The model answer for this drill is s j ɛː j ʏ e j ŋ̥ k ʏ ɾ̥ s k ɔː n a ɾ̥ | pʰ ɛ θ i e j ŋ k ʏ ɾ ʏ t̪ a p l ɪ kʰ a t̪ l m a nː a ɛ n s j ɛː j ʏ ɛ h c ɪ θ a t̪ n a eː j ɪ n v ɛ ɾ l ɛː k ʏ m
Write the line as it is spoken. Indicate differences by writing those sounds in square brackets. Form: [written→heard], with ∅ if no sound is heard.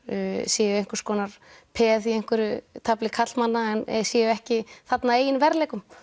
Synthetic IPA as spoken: s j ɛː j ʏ e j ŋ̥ k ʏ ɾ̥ s k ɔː n a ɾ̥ | pʰ ɛ θ i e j ŋ k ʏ ɾ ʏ [t̪→t̪ʰ] a p l ɪ kʰ a t̪ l m a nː a ɛ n s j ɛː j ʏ ɛ h c ɪ θ a t̪ n a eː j ɪ n v ɛ ɾ l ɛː k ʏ m